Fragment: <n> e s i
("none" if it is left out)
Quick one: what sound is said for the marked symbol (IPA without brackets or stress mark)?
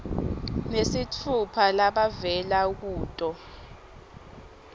n